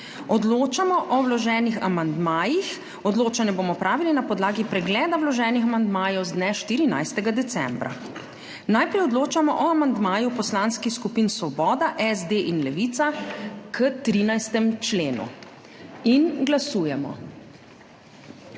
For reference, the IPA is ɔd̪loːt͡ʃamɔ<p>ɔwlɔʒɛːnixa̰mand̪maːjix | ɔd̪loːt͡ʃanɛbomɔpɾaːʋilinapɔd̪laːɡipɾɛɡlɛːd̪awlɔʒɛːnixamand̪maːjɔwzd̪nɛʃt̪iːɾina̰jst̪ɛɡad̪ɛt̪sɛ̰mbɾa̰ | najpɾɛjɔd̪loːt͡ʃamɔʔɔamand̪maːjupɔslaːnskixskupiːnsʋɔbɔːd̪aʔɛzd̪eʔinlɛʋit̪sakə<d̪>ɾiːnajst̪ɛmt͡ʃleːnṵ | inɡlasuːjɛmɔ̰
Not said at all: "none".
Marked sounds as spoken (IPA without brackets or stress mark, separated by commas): ʔ, t̪